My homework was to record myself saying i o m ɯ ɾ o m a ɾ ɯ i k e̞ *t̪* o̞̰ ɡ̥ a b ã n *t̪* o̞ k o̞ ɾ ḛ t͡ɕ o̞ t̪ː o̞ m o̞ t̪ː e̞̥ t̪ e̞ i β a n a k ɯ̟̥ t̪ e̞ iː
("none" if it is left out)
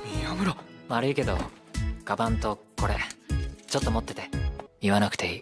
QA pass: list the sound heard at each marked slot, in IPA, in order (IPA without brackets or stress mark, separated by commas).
d̪, t̪